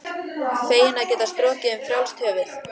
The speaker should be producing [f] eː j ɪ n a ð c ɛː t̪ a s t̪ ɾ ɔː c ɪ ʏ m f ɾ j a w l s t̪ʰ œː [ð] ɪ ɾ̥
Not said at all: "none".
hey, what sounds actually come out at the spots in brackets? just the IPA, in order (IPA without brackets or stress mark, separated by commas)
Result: f, v